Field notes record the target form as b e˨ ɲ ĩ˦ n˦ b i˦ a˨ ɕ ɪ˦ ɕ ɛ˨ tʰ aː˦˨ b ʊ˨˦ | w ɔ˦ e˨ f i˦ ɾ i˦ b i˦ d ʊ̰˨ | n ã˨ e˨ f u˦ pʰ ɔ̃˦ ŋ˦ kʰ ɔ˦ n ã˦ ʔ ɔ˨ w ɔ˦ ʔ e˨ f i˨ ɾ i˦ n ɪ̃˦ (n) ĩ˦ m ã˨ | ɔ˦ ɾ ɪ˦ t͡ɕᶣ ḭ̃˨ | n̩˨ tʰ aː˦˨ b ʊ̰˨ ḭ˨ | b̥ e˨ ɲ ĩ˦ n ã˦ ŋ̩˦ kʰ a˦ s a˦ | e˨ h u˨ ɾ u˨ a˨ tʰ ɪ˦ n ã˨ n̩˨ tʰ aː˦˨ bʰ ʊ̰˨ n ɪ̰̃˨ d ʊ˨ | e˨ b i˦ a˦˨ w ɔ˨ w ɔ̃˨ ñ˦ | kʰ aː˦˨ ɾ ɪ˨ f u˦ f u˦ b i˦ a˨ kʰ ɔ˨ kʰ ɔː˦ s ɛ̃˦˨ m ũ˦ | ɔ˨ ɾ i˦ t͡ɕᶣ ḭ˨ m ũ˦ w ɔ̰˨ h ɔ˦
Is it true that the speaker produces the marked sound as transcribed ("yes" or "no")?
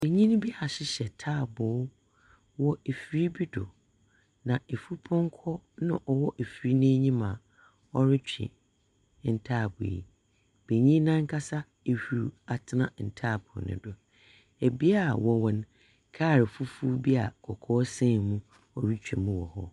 no